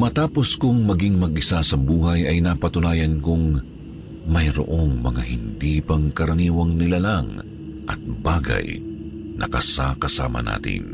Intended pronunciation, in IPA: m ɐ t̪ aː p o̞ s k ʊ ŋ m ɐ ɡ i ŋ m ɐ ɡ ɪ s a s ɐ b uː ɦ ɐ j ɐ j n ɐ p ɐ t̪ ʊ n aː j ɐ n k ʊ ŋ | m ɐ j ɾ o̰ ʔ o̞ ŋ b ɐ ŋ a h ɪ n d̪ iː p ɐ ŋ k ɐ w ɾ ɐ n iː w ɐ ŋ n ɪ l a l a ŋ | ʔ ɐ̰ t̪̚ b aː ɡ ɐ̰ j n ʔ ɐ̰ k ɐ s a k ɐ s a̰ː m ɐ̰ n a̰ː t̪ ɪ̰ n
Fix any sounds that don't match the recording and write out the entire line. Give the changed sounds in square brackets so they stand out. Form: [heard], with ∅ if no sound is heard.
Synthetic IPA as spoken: m ɐ t̪ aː p o̞ s k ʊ ŋ m ɐ ɡ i ŋ m ɐ ɡ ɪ s a s ɐ b uː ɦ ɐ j ɐ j n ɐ p ɐ t̪ ʊ n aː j ɐ n k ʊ ŋ | m ɐ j ɾ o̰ ʔ o̞ ŋ [m] ɐ ŋ a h ɪ n d̪ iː p ɐ ŋ k ɐ [∅] ɾ ɐ n iː w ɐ ŋ n ɪ l a l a ŋ | ʔ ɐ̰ t̪̚ b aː ɡ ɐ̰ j n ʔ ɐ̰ k ɐ s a k ɐ s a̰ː m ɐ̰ n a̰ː t̪ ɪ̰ n